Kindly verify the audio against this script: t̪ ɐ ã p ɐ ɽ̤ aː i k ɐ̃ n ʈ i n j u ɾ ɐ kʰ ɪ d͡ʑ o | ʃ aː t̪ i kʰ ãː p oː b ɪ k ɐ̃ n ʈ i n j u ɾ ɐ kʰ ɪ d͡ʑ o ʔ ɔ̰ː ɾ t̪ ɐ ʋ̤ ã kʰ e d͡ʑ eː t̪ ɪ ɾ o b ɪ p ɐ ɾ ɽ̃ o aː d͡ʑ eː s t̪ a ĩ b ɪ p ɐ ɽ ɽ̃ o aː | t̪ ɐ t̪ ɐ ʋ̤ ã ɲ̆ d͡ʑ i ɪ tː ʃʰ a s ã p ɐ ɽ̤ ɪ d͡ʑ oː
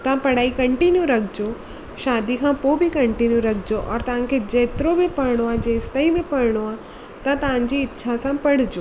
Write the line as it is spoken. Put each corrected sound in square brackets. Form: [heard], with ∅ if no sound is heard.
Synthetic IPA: t̪ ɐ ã p ɐ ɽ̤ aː i k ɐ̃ [ɳ] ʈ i n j u ɾ ɐ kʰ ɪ d͡ʑ o | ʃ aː [d̪] i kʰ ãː p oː b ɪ k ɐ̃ [ɳ] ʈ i n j u ɾ ɐ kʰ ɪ d͡ʑ o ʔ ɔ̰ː ɾ t̪ ɐ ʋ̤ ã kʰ e d͡ʑ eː t̪ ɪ ɾ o b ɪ p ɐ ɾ ɽ̃ o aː d͡ʑ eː s t̪ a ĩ b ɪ p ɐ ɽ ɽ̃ o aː | t̪ ɐ t̪ ɐ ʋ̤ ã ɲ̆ d͡ʑ i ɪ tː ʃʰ a s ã p ɐ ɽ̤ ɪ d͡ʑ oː

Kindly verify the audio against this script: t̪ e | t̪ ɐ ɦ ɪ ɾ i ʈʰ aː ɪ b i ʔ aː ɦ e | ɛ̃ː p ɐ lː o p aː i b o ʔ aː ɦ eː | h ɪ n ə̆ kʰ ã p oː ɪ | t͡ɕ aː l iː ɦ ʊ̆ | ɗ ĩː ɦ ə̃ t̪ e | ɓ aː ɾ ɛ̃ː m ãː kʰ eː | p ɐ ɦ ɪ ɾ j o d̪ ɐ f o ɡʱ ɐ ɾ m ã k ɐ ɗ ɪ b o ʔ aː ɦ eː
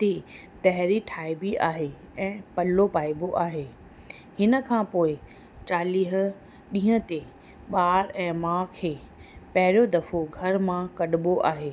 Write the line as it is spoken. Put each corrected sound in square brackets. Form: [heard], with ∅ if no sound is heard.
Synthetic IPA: t̪ e | t̪ ɐ ɦ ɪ ɾ i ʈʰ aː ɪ b i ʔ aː ɦ e | ɛ̃ː p ɐ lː o p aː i b o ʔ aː ɦ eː | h ɪ n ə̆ kʰ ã p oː ɪ | t͡ɕ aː l iː ɦ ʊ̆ | ɗ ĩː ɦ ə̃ t̪ e | ɓ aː ɾ ɛ̃ː m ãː kʰ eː | p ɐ ɦ ɪ ɾ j o d̪ ɐ f o ɡʱ ɐ ɾ m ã k ɐ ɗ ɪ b o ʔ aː ɦ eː

